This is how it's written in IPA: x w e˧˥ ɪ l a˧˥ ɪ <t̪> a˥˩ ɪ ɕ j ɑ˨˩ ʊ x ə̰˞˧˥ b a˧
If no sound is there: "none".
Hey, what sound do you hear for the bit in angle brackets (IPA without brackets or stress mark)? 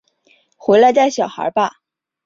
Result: t̪